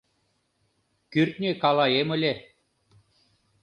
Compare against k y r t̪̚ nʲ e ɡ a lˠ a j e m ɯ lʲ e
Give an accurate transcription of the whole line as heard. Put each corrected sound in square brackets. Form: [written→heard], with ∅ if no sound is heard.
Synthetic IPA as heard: k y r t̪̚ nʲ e [ɡ→k] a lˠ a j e m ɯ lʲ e